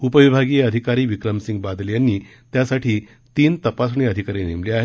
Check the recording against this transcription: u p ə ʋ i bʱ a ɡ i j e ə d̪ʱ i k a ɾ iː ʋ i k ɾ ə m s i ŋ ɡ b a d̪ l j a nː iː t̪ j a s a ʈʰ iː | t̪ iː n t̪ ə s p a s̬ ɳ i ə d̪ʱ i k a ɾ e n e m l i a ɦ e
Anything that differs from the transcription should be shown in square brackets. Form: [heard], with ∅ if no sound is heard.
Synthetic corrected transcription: u p ə ʋ i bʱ a ɡ i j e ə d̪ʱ i k a ɾ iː ʋ i k ɾ ə m s i ŋ ɡ b a d̪ l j a nː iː t̪ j a s a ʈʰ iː | t̪ iː n t̪ ə [∅] p a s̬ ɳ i ə d̪ʱ i k a ɾ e n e m l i a ɦ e